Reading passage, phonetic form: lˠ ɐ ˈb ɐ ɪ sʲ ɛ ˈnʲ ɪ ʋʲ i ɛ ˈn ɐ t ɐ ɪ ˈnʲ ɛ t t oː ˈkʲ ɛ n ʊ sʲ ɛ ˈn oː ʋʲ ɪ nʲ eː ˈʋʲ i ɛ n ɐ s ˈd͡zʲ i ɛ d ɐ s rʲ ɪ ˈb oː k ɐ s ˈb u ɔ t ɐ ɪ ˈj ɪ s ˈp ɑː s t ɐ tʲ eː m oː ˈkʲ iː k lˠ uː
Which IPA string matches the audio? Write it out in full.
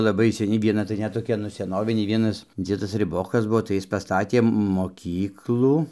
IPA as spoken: lˠ ɐ ˈb ɐ ɪ sʲ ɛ ˈnʲ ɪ ʋʲ i ɛ ˈn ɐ t ɐ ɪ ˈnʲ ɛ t t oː ˈkʲ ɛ n ʊ sʲ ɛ ˈn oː ʋʲ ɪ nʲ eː ˈʋʲ i ɛ n ɐ s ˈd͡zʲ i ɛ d ɐ s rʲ ɪ ˈb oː k ɐ s ˈb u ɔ t ɐ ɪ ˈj ɪ s ˈp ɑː s t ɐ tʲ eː m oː ˈkʲ iː k lˠ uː